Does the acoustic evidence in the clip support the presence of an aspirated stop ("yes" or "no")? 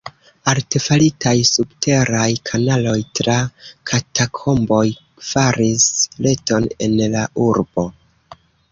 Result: yes